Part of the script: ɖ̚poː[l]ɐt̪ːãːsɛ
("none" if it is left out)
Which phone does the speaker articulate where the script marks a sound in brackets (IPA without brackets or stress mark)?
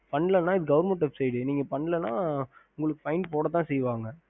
ɽ